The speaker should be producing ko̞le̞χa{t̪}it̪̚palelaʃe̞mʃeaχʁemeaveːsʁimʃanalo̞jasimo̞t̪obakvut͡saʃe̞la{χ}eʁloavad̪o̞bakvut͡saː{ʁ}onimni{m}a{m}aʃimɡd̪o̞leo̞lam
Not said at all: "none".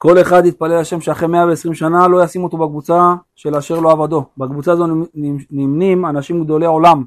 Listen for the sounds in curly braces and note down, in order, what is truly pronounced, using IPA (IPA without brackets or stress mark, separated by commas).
d̪, ʃ, z, m, n